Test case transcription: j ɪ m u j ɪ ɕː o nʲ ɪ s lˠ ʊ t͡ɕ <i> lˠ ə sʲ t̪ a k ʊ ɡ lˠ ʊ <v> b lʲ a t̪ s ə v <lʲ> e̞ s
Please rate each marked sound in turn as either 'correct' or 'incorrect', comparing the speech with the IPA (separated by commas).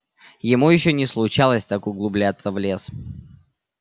incorrect, incorrect, correct